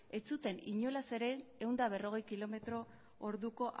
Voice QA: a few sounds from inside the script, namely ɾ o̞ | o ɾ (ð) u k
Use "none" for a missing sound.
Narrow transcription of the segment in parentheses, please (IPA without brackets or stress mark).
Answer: ð